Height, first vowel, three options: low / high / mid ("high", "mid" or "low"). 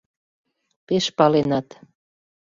mid